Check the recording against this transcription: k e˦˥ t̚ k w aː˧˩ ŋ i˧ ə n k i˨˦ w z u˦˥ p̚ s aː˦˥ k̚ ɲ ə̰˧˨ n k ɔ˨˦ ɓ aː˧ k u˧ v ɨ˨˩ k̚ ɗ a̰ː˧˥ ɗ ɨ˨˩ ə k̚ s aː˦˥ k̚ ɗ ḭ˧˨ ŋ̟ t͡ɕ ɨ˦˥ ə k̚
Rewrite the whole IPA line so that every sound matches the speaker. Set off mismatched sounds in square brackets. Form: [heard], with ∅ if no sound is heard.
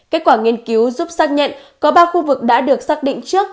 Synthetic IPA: k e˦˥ t̚ k w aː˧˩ ŋ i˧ ə n k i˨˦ w z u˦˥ p̚ s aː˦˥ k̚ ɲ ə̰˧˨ n k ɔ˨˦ ɓ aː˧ [x] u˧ v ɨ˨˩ k̚ ɗ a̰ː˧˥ ɗ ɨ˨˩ ə k̚ s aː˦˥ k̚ ɗ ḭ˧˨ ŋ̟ t͡ɕ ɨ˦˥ ə k̚